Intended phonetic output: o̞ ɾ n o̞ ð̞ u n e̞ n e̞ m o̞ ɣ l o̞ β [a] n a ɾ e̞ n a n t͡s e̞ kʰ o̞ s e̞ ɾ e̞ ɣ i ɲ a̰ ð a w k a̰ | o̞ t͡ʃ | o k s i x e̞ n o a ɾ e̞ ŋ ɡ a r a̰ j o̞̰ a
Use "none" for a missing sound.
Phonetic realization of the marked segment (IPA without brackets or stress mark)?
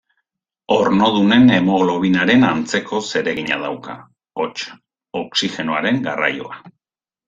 i